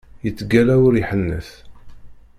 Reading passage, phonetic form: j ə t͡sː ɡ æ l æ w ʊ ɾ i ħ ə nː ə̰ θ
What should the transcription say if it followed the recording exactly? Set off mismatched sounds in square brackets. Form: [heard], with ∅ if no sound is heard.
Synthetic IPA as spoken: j ə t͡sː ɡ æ l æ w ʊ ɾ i ħ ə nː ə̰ θ